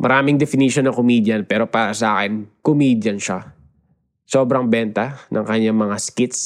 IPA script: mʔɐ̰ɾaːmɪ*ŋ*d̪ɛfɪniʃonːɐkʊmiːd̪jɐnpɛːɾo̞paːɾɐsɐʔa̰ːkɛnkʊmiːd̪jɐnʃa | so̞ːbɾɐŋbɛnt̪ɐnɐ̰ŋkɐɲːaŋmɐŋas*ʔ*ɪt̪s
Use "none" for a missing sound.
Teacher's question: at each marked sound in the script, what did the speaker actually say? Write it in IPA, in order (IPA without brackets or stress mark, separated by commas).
ŋ, k